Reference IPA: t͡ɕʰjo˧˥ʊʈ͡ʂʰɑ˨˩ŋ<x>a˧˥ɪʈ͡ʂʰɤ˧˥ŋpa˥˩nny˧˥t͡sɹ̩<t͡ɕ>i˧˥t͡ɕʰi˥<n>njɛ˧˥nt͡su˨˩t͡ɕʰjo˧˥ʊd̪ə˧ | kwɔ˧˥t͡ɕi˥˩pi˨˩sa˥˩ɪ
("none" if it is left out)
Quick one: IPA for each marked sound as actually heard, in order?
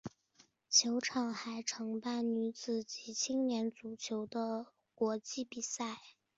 x, t͡ɕ, ŋ

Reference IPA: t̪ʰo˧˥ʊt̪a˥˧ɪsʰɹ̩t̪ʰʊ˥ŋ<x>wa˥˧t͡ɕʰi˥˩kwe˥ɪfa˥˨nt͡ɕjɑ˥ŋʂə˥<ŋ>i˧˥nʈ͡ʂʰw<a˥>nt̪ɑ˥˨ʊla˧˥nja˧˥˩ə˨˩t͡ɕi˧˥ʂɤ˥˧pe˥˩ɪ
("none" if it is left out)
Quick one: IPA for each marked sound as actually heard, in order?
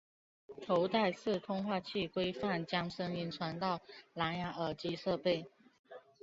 x, ŋ, a˧˥

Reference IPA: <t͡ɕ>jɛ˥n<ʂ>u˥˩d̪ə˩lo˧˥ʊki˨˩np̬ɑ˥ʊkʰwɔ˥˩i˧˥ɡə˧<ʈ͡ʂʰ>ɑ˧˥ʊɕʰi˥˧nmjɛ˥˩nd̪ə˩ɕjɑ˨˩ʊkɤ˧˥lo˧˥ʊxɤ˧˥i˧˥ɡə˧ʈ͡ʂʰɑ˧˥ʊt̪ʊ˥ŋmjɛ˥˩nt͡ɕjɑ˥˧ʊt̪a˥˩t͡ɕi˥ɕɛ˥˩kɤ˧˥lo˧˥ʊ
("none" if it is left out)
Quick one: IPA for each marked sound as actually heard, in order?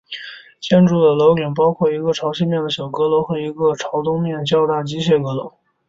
t͡ɕ, ʈ͡ʂ, ʈ͡ʂʰ

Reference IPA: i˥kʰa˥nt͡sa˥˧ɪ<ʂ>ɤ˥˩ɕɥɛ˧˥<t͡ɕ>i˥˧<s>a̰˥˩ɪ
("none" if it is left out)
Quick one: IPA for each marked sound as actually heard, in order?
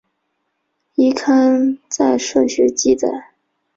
ʂ, t͡ɕ, t͡s

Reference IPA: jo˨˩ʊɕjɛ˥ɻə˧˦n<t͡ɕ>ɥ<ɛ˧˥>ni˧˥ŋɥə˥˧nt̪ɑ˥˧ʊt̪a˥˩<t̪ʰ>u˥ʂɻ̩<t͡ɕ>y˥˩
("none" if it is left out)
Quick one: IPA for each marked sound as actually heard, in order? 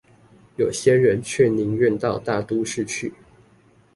t͡ɕʰ, ɛ˥˩, t̪, t͡ɕʰ

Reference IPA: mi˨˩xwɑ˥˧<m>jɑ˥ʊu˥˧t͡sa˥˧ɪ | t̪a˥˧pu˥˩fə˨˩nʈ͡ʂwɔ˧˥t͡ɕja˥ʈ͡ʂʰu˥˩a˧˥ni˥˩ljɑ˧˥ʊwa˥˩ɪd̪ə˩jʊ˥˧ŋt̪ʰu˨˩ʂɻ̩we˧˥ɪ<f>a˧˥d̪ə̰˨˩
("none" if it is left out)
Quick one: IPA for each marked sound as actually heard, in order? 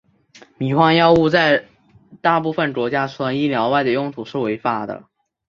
ŋ, f

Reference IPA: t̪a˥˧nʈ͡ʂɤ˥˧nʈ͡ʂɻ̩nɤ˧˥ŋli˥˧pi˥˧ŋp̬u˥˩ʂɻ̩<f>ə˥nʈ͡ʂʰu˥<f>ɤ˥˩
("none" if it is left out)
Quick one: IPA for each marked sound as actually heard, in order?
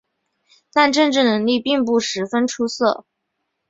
f, s

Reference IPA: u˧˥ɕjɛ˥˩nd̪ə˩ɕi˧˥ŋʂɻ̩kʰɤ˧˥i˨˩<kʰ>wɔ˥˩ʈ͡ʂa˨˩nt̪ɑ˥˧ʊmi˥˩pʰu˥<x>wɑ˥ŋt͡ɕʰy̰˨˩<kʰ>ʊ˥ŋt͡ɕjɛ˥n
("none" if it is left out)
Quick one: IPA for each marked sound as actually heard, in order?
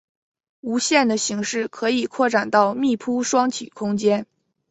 kʰ, ʂ, kʰ

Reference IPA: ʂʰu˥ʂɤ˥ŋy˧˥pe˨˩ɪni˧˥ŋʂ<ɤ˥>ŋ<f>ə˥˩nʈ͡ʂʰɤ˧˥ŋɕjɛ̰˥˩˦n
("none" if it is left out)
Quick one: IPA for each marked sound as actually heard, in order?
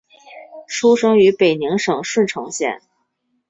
ɤ˨˩, ʂ

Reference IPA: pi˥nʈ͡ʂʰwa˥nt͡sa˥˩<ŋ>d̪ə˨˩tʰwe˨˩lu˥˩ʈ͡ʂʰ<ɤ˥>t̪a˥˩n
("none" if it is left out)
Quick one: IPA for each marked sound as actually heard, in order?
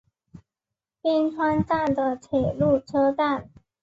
n, ɤ˥

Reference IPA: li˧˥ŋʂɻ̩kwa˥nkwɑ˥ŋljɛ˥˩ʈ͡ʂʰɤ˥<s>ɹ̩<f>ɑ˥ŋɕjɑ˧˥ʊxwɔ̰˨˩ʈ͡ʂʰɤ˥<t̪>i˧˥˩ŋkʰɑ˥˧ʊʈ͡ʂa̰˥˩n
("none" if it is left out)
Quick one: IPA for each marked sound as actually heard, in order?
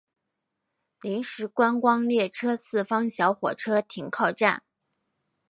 s, f, t̪ʰ

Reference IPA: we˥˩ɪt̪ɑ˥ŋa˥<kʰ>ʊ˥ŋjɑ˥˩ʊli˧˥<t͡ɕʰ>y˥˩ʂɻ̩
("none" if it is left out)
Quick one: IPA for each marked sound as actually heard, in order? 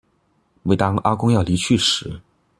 k, t͡ɕʰ

